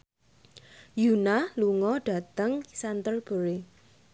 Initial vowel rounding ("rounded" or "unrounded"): rounded